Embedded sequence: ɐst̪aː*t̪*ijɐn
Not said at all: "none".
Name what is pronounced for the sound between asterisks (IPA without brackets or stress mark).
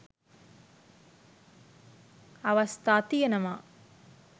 t̪